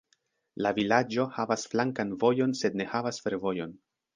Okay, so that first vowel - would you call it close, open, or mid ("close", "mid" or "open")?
open